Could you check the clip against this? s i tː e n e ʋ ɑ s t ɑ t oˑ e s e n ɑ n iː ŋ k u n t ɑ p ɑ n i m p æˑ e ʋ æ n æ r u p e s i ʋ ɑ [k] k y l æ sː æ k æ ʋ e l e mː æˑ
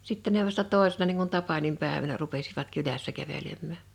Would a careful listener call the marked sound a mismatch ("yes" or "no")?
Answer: yes